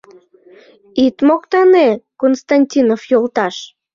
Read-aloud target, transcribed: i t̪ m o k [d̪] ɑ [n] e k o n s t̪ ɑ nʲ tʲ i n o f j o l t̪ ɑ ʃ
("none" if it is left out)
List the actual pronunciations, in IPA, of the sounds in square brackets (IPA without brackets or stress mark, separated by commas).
t̪, n